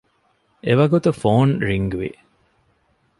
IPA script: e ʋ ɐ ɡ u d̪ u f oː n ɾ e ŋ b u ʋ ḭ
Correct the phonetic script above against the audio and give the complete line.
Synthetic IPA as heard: e ʋ ɐ ɡ u t̪ u f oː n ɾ i ŋ ɡ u ʋ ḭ